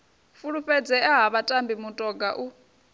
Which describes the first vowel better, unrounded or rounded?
rounded